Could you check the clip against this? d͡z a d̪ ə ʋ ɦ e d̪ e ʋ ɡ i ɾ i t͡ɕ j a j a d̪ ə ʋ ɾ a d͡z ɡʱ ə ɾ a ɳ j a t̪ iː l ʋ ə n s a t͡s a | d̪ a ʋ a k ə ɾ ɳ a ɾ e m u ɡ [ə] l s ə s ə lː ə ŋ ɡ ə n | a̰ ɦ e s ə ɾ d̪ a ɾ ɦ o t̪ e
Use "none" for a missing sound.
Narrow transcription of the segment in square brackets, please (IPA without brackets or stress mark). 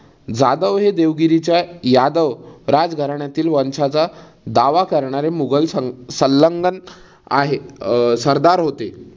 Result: ə